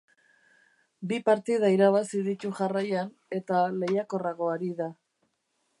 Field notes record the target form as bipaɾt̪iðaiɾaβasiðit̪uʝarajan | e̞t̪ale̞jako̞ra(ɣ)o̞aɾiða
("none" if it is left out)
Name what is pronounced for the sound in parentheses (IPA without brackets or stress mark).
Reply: ɣ